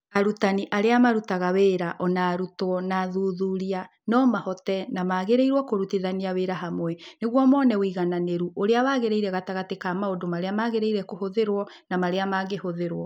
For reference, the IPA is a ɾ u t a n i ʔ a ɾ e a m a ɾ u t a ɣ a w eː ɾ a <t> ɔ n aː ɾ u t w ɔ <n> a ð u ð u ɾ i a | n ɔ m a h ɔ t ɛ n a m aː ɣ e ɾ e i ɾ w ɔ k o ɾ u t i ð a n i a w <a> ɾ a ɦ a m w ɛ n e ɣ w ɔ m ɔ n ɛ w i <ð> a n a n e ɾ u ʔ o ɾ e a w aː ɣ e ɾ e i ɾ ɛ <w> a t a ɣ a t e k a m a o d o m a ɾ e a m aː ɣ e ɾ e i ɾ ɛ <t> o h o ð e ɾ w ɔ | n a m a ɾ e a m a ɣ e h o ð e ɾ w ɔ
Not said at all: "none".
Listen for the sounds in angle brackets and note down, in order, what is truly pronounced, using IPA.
ʔ, n, e, ɣ, ɣ, k

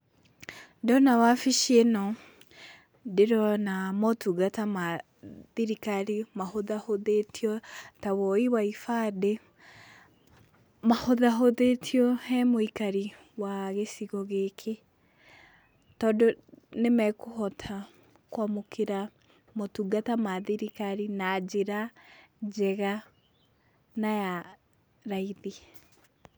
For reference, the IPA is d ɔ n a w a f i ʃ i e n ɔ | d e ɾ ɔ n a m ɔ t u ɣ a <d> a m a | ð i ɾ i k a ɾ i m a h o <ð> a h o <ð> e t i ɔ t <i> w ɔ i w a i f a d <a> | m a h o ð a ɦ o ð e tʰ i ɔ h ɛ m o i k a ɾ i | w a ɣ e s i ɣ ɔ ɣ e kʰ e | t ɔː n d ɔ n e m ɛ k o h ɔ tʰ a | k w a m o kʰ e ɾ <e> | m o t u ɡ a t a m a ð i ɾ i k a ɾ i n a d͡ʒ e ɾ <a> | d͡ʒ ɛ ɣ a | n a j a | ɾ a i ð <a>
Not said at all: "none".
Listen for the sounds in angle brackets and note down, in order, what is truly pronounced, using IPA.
t, ð, ð, a, e, a, a, i

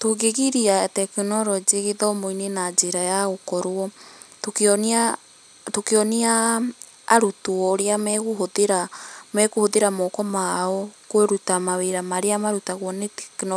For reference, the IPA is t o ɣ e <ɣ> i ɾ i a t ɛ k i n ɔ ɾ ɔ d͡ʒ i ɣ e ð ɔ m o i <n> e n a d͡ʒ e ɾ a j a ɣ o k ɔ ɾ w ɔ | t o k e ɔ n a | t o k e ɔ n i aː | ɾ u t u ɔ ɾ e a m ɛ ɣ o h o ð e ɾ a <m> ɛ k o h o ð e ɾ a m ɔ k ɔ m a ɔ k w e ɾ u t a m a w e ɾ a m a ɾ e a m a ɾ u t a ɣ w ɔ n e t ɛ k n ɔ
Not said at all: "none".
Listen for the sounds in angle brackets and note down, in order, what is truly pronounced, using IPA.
ɣ, n, m

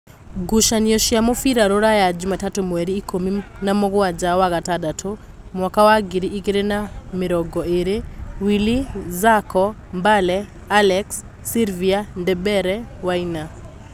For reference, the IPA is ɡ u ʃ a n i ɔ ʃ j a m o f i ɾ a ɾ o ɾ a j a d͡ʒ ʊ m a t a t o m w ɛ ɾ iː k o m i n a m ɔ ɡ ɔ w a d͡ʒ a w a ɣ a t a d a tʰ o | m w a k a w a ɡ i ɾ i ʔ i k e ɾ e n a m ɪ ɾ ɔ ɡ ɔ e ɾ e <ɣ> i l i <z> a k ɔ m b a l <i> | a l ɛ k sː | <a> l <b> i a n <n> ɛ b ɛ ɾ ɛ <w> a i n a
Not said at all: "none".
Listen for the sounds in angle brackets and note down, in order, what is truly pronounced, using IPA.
w, z, ɛ, i, v, d, w

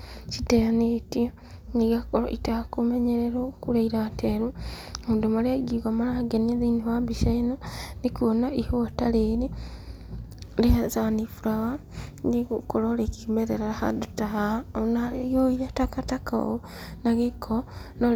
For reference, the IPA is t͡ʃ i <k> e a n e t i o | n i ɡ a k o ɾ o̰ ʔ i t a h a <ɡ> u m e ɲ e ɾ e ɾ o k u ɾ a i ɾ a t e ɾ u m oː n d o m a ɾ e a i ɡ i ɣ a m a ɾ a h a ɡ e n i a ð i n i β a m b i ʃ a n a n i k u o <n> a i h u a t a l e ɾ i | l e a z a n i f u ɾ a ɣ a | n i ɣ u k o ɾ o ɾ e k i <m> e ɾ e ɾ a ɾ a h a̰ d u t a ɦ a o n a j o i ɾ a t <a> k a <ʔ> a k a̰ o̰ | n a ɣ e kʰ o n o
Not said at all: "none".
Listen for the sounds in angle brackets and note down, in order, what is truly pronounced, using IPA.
t, k, n, m, a, t

